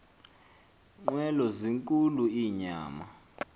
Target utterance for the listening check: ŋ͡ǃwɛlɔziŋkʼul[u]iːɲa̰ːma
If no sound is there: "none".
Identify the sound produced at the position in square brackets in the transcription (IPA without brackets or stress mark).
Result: u